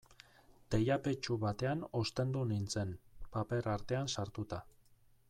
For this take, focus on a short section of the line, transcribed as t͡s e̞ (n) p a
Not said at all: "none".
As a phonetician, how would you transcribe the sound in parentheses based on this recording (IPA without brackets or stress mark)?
n